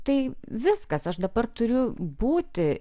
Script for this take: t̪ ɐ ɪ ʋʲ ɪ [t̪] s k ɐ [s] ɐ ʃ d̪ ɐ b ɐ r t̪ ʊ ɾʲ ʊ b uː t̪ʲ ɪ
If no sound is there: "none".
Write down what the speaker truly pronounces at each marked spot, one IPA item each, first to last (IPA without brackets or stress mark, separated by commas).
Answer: none, s